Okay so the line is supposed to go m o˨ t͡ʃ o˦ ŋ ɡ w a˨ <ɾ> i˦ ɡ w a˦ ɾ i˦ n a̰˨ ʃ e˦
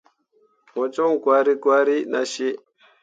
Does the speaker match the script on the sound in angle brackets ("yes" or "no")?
yes